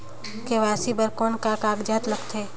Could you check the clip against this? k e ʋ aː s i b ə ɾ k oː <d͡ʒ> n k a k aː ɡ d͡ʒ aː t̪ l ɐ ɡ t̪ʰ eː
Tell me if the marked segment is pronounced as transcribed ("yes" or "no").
no